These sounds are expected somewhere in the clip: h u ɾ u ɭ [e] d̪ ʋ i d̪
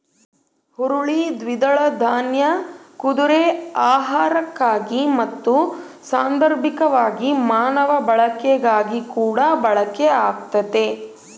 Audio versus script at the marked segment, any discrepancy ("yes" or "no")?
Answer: yes